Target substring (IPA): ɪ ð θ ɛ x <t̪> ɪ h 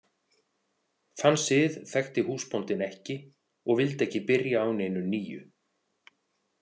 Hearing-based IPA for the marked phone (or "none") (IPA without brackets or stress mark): t̪